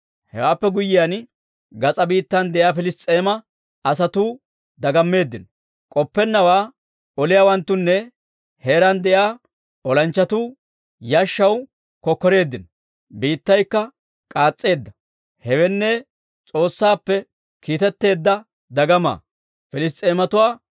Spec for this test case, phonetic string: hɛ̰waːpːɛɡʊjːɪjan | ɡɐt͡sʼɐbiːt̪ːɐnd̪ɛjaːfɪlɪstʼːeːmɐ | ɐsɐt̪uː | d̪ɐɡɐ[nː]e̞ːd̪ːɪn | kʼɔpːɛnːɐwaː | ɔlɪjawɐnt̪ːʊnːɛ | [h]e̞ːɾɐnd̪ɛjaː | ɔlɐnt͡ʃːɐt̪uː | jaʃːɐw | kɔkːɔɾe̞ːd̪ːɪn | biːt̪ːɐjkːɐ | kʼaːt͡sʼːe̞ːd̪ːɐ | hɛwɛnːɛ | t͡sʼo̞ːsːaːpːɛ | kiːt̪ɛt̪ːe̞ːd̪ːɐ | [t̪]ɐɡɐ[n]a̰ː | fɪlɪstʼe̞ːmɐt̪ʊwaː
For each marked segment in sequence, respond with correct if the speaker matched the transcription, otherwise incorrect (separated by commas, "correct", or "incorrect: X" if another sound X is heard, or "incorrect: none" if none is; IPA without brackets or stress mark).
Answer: incorrect: mː, correct, incorrect: d̪, incorrect: m